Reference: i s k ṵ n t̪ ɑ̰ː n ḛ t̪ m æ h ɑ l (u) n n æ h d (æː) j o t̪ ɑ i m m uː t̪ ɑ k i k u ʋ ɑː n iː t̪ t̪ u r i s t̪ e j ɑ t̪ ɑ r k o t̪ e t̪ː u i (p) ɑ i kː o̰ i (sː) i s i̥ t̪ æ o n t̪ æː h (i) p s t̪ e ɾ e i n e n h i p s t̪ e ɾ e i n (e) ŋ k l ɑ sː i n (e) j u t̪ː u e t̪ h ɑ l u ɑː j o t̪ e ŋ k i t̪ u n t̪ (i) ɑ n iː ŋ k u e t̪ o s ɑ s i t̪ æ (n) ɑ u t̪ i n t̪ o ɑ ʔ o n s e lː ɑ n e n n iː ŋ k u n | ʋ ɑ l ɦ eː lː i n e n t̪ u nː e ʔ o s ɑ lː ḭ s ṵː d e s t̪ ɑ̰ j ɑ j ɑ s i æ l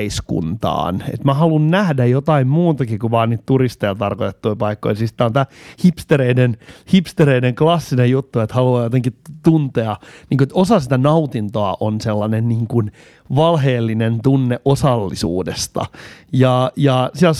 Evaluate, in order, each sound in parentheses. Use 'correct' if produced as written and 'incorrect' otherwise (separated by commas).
correct, incorrect, correct, incorrect, correct, correct, correct, incorrect, correct